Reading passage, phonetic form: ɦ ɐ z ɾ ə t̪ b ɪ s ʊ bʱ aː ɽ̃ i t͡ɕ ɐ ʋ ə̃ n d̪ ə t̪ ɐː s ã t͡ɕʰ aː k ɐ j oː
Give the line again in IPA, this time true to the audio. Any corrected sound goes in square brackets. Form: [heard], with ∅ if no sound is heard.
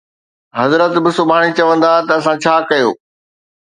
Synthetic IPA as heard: ɦ ɐ z ɾ ə t̪ b ɪ s ʊ bʱ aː ɽ̃ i t͡ɕ ɐ ʋ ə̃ n d̪ [a] t̪ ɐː s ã t͡ɕʰ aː k ɐ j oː